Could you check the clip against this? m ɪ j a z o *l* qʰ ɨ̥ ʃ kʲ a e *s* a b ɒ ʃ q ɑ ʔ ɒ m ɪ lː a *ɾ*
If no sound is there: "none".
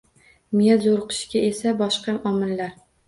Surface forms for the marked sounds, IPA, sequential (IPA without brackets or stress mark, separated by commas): ɾ, s, ɾ